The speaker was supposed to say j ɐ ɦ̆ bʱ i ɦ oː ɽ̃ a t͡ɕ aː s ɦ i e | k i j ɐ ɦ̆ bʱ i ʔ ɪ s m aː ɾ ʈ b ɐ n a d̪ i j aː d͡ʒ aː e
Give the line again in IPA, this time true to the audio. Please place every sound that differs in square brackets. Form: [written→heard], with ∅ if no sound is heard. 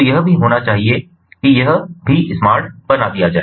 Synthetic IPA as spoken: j ɐ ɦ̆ bʱ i ɦ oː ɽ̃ a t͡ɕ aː [s→∅] ɦ i e | k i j ɐ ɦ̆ bʱ i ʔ ɪ s m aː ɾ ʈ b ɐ n a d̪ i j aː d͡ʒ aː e